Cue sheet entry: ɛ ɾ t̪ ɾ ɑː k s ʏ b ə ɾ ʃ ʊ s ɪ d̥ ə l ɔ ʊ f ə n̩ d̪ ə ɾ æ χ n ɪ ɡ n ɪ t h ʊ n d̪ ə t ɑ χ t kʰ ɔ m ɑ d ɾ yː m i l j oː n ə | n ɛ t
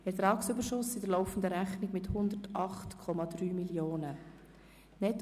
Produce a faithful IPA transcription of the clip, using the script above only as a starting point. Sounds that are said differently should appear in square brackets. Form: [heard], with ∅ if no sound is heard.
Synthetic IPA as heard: ɛ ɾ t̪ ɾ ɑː k s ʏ b ə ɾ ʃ ʊ s ɪ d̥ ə l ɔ ʊ f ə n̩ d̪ ə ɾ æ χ n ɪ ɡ [m] ɪ t h ʊ n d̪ ə t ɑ χ t kʰ ɔ m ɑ d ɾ yː m i l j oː n ə | n ɛ t